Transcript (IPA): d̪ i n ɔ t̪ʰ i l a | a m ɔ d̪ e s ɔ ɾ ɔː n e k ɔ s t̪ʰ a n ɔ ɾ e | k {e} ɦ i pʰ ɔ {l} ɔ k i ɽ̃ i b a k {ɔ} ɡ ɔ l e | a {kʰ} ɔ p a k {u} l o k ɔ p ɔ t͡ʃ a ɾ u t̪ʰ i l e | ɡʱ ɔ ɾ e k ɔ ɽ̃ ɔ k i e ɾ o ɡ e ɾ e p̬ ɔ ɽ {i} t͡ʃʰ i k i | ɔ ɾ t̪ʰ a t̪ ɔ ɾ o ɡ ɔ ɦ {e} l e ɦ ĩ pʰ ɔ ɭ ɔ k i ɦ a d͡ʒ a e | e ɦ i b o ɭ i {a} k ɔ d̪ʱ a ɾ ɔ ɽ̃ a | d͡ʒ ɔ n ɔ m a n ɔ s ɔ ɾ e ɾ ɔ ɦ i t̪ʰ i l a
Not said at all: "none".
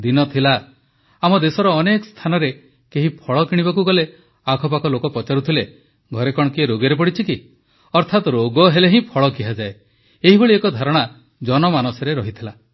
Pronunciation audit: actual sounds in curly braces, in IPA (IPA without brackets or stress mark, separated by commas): e, ɭ, u, kʰ, ɔ, i, e, e